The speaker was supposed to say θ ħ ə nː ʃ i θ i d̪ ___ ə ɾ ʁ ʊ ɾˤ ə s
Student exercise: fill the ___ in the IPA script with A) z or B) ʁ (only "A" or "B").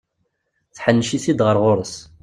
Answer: B